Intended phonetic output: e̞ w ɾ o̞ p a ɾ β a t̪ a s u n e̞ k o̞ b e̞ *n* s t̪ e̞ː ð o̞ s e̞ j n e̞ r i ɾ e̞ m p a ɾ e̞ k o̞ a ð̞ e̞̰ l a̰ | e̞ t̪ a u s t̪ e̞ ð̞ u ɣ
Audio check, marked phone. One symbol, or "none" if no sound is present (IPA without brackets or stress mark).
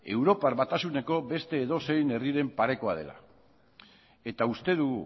none